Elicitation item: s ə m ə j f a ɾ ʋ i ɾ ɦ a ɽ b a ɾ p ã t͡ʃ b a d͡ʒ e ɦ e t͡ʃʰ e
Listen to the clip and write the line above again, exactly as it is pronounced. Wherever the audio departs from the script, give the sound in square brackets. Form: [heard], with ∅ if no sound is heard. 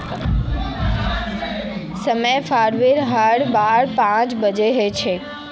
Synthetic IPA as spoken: s ə m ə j f a ɾ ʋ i ɾ ɦ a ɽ b a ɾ p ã t͡ʃ b [ə] d͡ʒ e ɦ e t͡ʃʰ e